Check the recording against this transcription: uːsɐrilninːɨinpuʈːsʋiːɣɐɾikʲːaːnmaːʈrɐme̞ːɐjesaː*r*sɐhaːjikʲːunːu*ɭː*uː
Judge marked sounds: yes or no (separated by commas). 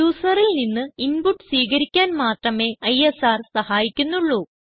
yes, yes